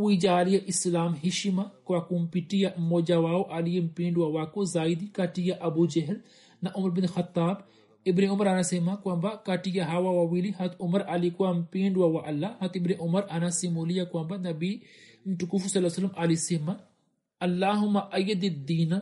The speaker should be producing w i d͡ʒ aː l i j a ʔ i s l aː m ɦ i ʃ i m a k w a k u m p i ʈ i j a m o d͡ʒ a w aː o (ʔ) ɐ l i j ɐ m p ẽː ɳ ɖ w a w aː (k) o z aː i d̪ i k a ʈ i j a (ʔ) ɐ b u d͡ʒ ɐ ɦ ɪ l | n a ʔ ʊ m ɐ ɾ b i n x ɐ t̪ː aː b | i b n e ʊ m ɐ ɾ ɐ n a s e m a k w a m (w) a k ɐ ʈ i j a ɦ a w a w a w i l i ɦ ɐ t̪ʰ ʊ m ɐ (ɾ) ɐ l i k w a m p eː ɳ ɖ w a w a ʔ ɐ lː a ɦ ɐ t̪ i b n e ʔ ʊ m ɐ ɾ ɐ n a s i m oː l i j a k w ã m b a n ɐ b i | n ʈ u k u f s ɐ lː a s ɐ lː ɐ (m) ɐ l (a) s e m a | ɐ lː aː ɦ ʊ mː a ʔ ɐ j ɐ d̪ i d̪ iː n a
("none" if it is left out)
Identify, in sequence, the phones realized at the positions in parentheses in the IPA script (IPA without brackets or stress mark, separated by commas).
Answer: ʔ, k, ʔ, b, ɾ, m, i